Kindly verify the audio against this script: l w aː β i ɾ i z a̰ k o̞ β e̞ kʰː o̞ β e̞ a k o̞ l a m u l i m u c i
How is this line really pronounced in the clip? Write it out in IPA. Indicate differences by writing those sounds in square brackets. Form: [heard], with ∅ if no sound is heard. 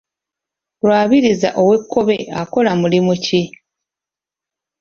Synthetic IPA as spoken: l w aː β i ɾ i z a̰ [ʔ] o̞ [w] e̞ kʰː o̞ β e̞ a k o̞ l a m u l i m u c i